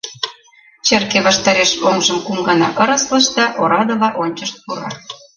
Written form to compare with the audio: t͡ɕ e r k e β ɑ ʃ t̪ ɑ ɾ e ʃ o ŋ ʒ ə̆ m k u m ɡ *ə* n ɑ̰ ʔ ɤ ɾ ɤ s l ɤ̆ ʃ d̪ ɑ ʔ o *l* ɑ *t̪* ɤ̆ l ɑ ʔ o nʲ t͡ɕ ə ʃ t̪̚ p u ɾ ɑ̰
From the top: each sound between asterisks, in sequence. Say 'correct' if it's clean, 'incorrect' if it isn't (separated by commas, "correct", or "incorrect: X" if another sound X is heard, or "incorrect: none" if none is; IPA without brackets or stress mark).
incorrect: ɑ, incorrect: ɾ, incorrect: d̪